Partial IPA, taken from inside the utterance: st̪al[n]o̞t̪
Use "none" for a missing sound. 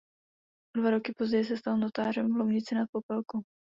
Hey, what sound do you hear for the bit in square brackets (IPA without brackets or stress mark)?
n